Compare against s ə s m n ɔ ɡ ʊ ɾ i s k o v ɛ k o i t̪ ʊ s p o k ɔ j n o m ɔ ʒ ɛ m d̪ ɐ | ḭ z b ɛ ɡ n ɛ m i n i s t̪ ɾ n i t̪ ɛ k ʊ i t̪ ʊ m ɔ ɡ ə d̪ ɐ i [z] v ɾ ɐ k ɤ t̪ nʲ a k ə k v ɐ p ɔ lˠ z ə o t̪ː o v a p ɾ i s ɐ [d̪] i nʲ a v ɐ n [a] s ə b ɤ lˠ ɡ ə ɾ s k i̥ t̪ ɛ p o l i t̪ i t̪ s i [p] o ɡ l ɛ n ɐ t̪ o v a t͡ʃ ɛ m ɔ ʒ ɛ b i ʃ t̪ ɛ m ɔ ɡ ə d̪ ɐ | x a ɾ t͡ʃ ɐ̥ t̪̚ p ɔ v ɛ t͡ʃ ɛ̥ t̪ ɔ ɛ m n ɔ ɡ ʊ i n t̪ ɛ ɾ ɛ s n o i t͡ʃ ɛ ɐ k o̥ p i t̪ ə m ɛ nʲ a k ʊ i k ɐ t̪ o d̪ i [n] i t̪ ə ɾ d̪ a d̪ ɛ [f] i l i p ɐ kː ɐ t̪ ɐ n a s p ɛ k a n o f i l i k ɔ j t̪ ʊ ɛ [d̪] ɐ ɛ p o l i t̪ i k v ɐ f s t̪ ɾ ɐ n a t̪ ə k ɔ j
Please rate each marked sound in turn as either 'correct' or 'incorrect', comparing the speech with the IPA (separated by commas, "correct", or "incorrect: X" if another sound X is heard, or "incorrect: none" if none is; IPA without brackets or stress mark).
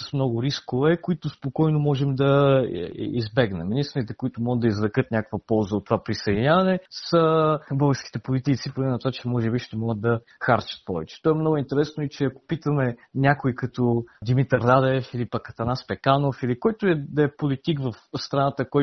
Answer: correct, correct, incorrect: ɛ, correct, incorrect: m, correct, correct